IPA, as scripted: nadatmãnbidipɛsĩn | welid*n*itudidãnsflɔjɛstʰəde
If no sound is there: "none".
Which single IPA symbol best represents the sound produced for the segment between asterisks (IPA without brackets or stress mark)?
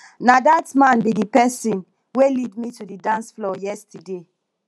m